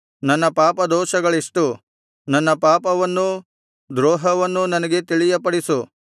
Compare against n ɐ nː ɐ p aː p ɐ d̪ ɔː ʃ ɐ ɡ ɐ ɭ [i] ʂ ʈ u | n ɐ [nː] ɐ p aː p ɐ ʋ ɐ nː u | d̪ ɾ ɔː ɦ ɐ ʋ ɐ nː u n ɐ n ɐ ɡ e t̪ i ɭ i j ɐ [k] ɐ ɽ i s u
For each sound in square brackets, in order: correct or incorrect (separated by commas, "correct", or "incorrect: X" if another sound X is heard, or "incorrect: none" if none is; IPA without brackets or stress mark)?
correct, correct, incorrect: p